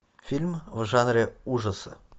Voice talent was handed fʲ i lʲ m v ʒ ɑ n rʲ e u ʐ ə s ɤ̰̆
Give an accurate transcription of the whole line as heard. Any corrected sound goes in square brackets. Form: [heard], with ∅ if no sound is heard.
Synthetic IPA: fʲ i lʲ m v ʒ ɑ n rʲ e u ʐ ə s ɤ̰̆